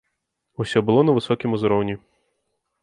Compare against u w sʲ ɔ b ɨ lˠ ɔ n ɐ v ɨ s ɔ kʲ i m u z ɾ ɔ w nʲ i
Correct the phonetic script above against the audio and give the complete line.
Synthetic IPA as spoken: u sʲ ɔ b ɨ lˠ ɔ n ɐ v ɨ s ɔ kʲ i m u z ɾ ɔ w nʲ i